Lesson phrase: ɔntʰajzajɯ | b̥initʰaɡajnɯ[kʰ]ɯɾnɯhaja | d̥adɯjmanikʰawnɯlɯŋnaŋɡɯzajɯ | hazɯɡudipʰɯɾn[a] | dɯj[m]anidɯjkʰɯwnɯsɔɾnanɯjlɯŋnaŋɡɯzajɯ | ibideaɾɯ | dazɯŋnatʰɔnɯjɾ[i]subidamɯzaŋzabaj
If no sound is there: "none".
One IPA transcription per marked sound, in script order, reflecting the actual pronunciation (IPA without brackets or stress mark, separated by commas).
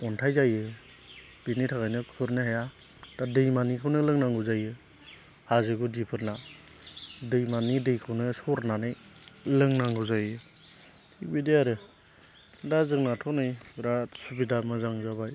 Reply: kʰ, a, m, a